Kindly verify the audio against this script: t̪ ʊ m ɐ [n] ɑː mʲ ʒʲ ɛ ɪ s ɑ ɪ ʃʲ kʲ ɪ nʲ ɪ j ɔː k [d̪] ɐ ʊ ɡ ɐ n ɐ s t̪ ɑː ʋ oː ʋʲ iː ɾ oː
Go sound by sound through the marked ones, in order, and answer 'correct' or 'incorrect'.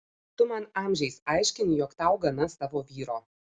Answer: correct, incorrect

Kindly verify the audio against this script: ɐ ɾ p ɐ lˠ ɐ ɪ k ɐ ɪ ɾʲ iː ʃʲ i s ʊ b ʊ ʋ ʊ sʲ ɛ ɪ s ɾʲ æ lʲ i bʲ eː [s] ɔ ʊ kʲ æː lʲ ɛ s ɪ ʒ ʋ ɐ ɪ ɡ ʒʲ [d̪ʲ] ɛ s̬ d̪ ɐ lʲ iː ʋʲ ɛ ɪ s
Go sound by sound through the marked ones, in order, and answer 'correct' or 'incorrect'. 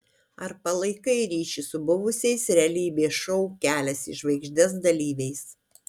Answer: incorrect, correct

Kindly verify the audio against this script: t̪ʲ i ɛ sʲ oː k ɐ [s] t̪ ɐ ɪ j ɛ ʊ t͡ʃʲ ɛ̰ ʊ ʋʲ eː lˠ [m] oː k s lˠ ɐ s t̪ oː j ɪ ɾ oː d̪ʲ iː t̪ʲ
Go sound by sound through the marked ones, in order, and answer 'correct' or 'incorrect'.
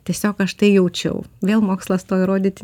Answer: incorrect, correct

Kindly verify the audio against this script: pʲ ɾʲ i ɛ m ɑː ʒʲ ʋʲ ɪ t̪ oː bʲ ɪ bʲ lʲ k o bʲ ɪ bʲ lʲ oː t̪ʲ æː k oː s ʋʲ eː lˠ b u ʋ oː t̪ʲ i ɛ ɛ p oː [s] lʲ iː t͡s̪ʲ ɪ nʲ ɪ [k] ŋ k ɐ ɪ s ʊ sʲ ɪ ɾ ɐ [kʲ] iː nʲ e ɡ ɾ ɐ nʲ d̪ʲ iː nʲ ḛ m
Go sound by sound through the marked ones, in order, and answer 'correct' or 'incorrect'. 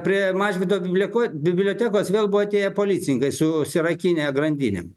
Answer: incorrect, incorrect, correct

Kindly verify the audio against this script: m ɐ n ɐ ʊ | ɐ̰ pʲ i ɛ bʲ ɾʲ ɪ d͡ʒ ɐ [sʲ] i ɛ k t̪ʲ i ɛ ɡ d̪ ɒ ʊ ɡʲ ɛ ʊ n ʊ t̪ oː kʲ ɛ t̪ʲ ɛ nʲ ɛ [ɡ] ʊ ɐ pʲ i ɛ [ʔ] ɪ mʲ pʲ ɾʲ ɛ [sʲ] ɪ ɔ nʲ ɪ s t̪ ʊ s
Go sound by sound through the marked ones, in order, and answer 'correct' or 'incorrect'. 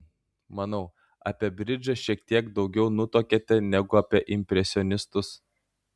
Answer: incorrect, correct, correct, correct

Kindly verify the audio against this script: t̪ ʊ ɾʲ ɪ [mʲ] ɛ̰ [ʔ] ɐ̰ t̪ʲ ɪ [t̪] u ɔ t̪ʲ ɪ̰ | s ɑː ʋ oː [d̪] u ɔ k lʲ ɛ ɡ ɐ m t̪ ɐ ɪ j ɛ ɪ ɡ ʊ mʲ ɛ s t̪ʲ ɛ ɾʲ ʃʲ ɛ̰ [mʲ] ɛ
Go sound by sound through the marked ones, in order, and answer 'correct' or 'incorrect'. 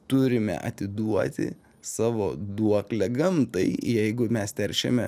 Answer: correct, correct, incorrect, correct, correct

